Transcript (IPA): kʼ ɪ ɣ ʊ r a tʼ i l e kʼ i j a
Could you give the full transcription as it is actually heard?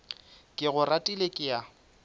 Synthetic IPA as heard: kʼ ɪ ɣ ʊ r a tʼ i l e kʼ ɪ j a